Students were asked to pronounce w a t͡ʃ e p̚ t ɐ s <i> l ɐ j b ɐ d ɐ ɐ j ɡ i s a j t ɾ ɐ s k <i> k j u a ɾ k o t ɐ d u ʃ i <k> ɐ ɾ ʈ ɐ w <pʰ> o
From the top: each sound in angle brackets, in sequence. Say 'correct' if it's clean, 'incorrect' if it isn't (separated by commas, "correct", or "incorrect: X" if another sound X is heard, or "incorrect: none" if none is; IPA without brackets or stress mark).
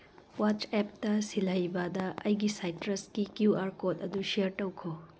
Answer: correct, correct, incorrect: none, incorrect: kʰ